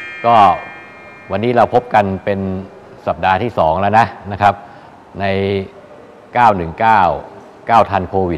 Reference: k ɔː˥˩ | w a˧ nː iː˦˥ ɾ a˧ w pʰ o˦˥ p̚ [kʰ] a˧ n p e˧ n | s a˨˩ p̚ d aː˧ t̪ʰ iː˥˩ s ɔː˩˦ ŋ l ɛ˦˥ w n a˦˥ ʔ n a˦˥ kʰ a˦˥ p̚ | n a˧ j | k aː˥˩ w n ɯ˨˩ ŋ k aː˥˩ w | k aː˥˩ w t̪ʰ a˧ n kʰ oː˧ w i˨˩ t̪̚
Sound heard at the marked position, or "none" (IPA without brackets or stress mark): k